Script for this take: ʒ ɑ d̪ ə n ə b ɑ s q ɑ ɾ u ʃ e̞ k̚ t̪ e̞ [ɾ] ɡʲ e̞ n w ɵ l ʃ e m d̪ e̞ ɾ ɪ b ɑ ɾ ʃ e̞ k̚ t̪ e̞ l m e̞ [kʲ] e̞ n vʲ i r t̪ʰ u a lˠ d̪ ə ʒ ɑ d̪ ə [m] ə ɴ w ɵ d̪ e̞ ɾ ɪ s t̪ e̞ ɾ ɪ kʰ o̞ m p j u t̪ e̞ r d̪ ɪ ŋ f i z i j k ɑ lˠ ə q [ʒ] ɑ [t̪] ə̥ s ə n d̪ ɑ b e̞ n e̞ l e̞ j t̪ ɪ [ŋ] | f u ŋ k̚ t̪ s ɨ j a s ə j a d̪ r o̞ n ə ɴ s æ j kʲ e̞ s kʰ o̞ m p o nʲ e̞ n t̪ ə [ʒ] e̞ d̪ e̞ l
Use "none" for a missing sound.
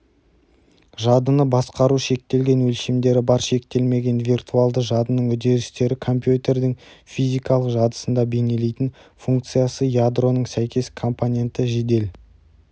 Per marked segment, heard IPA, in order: l, ɡʲ, n, ʒ, d̪, n, ʒ

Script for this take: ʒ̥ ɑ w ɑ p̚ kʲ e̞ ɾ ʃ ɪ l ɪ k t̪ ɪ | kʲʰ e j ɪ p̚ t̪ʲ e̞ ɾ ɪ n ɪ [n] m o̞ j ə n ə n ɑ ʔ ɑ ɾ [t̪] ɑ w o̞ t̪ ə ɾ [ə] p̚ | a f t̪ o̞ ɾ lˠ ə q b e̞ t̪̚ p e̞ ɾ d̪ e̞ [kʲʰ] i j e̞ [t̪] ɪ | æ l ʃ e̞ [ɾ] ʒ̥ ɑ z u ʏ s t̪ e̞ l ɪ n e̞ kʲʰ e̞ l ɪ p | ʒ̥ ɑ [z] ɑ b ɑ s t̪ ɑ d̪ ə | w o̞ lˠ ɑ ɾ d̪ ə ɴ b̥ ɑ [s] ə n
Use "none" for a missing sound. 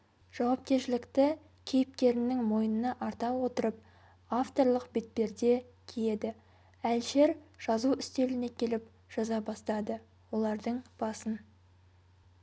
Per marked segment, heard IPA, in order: ŋ, t̪, ə, kʲʰ, d̪, ɾ, z, s

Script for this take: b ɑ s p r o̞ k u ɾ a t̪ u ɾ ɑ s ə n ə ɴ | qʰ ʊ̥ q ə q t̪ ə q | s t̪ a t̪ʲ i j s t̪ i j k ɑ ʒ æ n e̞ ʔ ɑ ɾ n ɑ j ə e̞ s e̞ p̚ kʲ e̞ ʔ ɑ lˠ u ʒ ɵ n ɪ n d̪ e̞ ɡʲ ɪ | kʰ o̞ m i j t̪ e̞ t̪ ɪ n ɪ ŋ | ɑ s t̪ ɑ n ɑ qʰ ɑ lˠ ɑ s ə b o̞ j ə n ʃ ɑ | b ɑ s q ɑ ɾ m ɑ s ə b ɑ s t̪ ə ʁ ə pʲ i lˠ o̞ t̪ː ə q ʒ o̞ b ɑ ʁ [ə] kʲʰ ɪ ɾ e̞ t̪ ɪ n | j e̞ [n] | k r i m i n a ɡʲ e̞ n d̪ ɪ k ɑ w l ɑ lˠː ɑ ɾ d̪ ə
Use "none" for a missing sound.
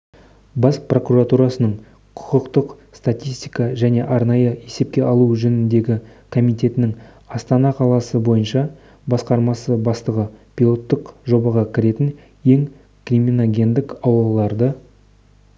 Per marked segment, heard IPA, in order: ɑ, ŋ

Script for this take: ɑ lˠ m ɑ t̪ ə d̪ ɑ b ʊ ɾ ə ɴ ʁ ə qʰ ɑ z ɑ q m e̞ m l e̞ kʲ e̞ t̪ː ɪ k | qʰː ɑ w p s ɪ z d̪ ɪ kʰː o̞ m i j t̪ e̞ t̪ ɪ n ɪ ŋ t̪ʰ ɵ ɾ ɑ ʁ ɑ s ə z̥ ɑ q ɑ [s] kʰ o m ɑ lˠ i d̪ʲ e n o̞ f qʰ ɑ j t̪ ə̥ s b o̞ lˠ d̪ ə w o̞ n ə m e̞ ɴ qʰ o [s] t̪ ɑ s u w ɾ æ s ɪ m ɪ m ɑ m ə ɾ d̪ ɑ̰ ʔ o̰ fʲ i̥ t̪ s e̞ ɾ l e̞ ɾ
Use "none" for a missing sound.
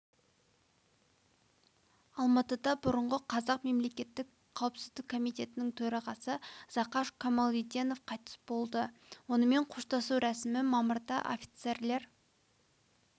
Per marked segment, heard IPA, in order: ʃ, ʃ

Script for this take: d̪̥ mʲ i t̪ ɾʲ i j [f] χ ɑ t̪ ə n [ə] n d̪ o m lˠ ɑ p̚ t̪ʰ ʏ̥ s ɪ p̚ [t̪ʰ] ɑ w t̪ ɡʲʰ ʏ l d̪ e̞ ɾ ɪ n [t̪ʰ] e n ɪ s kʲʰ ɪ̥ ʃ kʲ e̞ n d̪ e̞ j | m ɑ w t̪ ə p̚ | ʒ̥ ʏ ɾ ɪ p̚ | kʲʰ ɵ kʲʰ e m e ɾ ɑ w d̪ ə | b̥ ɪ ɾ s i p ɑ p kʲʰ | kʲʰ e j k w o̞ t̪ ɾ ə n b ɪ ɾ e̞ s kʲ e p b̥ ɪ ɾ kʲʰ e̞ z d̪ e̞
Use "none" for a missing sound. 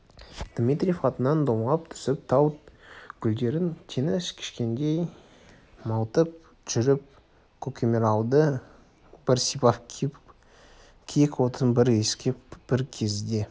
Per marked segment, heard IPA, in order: f, ɑ, t̪ʰ, t̪ʰ

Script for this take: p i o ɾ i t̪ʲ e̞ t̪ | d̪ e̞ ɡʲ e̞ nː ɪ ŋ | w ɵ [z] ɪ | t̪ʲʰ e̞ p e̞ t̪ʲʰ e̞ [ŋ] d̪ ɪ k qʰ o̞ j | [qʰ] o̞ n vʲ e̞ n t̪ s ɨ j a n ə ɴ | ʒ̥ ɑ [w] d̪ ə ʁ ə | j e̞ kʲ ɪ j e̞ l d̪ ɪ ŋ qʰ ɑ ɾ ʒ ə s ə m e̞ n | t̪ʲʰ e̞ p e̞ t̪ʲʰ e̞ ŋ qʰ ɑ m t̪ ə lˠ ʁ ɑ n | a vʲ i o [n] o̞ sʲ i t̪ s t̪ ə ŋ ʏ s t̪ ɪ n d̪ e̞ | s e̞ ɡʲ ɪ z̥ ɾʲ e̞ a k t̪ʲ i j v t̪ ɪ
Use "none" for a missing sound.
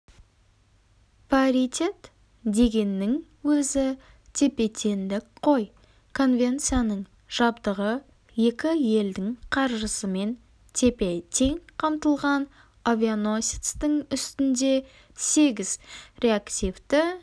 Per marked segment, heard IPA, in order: z, n, kʰ, b, n

